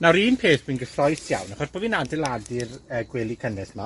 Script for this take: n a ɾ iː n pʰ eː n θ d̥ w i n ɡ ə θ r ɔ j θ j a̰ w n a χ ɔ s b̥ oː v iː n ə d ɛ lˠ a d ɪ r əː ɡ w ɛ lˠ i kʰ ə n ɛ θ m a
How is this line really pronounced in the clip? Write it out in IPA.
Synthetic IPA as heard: n a ɾ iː n pʰ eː θ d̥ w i n ɡ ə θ r ɔ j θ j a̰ w n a χ ɔ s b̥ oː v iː n a d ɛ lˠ a d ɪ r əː ɡ w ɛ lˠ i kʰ ə n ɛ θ m a